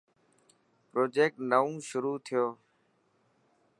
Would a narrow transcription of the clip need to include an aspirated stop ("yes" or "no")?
yes